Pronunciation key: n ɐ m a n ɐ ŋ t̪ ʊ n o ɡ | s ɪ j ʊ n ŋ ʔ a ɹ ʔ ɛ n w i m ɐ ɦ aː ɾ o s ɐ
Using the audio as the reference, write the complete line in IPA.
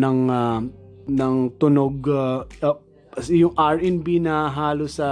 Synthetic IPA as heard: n ɐ ŋ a n ɐ ŋ t̪ ʊ n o ɡ | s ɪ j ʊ ŋ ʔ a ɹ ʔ ɛ n b i n ɐ ɦ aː l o s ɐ